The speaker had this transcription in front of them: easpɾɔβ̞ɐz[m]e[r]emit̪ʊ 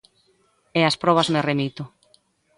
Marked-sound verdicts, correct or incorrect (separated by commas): correct, correct